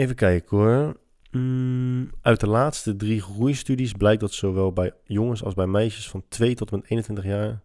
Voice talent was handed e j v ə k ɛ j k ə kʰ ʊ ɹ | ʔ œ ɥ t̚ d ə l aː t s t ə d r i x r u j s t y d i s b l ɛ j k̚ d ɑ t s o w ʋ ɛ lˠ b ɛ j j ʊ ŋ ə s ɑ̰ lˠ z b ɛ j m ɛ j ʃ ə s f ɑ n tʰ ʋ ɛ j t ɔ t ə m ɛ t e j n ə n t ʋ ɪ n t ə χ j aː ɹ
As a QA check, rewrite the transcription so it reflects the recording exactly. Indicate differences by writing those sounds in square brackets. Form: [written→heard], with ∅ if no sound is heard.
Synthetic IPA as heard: e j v ə k ɛ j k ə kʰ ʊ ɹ | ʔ œ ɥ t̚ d ə l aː t s t ə d r i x r u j s t y d i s b l ɛ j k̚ d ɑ t s o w ʋ ɛ lˠ b ɛ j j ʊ ŋ ə s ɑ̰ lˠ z b ɛ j m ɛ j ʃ ə s f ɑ n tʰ ʋ [ɛ→e] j t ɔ t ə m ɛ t e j n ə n t ʋ ɪ n t ə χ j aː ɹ